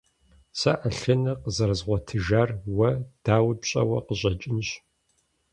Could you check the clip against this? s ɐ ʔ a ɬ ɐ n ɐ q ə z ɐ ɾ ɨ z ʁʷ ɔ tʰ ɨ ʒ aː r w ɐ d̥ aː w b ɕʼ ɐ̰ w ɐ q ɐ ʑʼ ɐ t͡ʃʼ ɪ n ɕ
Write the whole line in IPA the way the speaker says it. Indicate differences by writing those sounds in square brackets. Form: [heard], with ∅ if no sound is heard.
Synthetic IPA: s ɐ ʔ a ɬ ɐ n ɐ q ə z ɐ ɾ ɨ z ʁʷ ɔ tʰ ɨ ʒ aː r w ɐ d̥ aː w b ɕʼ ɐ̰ w ɐ q [ə] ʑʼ ɐ t͡ʃʼ ɪ n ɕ